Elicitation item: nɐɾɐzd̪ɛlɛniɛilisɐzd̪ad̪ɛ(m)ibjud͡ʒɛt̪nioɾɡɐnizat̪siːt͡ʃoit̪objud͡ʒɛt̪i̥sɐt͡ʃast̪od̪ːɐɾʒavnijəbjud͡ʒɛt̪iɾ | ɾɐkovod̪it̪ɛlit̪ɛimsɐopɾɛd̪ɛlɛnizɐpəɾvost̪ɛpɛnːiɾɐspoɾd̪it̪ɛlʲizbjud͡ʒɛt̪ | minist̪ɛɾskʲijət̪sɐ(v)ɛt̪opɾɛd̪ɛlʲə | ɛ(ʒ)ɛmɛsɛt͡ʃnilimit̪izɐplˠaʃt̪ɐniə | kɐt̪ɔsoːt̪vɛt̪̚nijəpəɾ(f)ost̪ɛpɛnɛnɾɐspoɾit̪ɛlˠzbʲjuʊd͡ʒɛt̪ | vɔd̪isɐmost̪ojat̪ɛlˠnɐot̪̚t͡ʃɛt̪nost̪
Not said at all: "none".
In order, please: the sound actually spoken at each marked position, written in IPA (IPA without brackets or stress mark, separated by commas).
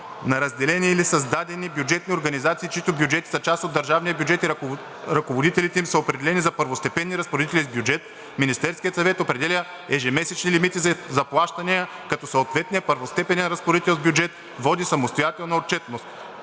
n, v, ʒ, v